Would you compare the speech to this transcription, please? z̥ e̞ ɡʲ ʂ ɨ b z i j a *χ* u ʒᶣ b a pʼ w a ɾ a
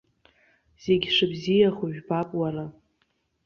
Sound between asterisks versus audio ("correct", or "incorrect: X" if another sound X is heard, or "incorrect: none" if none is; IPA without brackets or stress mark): correct